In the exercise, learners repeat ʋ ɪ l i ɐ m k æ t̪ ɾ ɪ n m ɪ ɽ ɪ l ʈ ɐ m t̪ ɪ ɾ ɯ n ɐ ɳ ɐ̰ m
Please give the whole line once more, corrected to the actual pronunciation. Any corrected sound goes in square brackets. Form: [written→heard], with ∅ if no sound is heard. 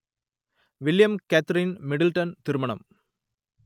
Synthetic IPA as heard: ʋ ɪ l [i→j] ɐ m k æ t̪ ɾ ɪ n m ɪ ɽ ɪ l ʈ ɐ [m→n] t̪ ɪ ɾ ɯ [n→m] ɐ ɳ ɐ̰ m